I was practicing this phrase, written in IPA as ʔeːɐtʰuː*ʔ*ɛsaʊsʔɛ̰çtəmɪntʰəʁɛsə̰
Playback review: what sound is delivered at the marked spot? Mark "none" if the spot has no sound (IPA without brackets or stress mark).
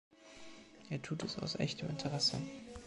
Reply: t